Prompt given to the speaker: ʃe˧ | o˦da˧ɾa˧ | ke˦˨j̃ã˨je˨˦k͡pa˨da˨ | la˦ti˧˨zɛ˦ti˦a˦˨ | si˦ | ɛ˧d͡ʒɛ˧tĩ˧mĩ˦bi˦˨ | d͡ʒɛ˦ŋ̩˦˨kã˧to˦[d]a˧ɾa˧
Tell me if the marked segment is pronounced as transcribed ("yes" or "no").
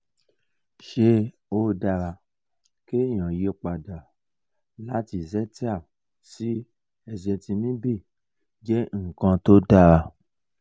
yes